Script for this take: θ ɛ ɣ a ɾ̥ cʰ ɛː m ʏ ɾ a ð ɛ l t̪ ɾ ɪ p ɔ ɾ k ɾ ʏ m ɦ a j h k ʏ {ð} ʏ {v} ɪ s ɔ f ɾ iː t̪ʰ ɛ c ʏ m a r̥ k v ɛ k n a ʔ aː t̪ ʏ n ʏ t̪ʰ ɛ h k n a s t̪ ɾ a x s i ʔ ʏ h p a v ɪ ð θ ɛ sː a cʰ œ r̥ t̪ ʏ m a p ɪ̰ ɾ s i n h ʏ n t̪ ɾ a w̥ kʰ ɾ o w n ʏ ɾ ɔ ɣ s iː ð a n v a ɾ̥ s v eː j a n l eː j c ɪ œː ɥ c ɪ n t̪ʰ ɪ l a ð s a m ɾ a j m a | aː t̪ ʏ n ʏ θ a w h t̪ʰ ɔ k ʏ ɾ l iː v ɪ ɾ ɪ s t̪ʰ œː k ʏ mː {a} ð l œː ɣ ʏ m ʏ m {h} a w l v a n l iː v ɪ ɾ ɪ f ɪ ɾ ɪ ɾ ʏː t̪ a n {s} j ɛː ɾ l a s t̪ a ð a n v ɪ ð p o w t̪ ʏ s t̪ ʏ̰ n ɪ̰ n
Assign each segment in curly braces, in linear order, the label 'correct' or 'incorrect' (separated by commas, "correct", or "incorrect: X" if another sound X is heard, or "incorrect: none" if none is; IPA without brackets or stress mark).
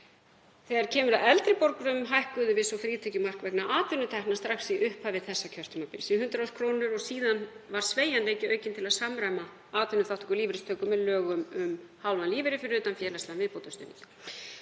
correct, correct, incorrect: ɛ, correct, incorrect: f